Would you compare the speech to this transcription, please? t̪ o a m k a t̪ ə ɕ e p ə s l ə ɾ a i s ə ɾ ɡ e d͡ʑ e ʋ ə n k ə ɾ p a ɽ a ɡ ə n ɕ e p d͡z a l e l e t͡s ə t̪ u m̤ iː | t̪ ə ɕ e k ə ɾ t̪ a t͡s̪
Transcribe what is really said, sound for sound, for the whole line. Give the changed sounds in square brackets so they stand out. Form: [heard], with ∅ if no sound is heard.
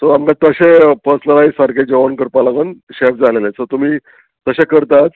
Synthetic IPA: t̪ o a m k a t̪ ə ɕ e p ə s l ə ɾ a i s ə ɾ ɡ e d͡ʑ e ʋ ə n k ə ɾ p a [l] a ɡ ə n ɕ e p d͡z a l e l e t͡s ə t̪ u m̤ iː | t̪ ə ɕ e k ə ɾ t̪ a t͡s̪